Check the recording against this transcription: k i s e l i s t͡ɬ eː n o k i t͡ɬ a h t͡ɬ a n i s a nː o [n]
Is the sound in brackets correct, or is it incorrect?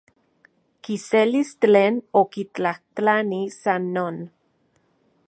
correct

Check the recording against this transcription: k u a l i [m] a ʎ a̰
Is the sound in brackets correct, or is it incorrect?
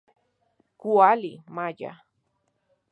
correct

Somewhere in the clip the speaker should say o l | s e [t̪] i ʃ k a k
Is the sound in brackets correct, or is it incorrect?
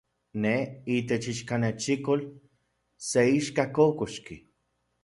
incorrect: none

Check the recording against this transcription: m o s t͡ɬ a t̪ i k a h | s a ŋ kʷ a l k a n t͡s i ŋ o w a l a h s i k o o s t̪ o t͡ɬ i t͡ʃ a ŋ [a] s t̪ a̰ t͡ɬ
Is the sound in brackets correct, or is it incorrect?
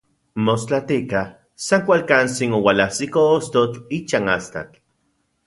correct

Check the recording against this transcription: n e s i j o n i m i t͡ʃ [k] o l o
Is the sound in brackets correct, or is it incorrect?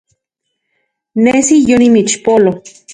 incorrect: p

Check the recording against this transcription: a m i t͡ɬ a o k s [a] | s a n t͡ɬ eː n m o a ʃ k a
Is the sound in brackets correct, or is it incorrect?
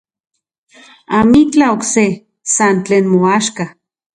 incorrect: e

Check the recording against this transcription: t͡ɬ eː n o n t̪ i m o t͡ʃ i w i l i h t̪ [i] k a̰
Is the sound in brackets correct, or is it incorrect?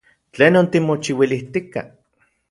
correct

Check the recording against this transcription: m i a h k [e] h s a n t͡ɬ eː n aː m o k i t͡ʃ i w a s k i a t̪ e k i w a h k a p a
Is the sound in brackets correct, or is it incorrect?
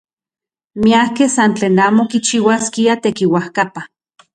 correct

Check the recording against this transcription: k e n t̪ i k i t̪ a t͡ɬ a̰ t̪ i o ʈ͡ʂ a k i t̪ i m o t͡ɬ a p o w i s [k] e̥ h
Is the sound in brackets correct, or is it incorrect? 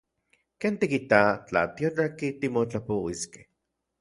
correct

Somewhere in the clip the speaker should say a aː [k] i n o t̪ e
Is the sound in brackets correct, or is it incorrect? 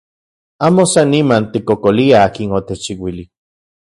correct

